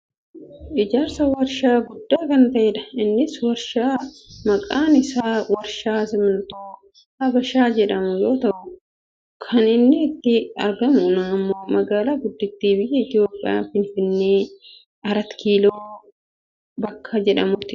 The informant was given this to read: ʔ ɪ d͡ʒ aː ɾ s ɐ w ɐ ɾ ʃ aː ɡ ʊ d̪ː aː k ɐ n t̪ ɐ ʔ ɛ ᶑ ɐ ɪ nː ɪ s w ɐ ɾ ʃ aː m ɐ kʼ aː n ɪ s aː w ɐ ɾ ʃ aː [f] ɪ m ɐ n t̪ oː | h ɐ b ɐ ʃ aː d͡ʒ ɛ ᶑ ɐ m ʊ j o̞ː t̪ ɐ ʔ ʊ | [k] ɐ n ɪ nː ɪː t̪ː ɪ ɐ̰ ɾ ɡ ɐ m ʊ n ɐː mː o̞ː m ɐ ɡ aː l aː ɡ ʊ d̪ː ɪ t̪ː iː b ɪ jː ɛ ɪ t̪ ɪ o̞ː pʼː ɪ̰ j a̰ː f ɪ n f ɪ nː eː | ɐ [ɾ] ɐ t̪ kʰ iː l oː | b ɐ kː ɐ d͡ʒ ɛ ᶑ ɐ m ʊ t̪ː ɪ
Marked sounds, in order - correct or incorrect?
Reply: incorrect: s, incorrect: kʰ, correct

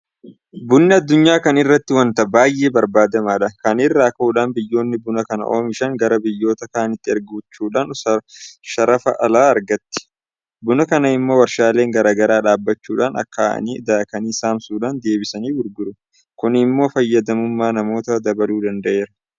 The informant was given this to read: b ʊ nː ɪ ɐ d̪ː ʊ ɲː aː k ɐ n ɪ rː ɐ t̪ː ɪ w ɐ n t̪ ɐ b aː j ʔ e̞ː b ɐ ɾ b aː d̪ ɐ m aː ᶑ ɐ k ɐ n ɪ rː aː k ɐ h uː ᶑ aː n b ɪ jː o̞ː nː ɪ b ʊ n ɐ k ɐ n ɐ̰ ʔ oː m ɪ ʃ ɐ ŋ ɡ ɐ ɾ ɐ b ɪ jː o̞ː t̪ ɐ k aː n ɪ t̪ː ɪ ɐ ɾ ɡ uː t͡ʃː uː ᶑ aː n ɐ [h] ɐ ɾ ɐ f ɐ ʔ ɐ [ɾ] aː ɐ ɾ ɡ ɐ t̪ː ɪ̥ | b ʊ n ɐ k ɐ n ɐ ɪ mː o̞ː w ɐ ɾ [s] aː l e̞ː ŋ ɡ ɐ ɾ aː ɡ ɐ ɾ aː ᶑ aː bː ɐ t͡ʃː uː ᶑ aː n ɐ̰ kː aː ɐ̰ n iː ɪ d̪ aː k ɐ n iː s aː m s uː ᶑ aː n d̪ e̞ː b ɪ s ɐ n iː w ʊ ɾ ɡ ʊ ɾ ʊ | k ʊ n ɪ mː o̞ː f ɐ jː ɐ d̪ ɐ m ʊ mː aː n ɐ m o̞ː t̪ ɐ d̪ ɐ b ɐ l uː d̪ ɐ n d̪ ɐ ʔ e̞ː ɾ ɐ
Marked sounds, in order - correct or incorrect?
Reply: incorrect: ʃ, incorrect: l, incorrect: ʃ

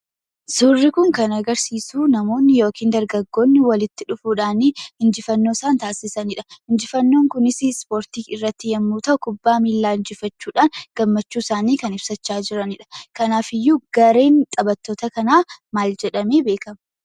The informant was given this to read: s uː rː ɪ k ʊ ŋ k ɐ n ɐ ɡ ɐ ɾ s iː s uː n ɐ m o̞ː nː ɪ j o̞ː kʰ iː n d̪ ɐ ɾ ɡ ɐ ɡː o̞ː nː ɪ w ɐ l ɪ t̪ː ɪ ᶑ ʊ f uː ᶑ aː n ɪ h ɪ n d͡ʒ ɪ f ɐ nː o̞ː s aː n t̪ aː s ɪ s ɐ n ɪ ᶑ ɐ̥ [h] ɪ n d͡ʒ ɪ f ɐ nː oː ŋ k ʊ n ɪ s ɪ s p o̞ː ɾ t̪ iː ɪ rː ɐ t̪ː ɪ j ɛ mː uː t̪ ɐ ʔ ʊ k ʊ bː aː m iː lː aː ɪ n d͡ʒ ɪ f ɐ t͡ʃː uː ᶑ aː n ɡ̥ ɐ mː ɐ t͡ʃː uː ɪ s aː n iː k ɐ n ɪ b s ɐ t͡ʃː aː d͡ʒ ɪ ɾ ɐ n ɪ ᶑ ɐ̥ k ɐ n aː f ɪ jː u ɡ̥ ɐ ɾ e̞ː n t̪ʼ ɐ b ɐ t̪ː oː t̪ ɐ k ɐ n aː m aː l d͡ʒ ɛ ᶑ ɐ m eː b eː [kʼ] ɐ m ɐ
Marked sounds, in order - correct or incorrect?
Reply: correct, incorrect: k

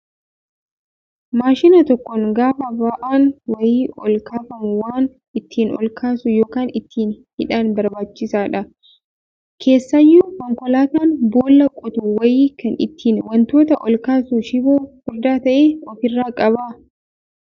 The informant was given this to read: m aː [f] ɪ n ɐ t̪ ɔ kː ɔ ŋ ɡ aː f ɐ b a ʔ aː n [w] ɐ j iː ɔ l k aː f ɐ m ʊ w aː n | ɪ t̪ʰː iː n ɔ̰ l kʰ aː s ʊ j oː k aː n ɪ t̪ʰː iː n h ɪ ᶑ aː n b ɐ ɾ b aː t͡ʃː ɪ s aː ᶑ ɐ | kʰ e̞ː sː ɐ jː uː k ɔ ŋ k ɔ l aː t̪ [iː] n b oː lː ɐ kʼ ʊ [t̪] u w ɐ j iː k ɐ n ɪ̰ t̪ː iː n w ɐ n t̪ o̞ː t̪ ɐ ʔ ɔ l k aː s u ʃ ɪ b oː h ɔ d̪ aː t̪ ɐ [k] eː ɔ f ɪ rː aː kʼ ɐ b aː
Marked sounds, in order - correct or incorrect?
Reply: incorrect: ʃ, correct, incorrect: aː, correct, incorrect: ʔ

